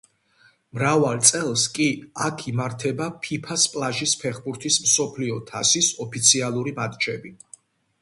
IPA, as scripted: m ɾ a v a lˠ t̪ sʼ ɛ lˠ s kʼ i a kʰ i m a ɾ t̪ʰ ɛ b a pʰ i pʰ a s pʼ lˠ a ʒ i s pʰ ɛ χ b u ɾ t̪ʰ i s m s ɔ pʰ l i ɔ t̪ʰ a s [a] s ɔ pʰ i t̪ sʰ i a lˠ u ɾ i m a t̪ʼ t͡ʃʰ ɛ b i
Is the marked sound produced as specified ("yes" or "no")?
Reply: no